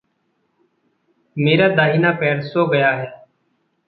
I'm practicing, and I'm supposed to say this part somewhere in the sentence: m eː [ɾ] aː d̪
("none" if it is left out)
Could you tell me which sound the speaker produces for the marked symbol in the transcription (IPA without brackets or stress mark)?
ɾ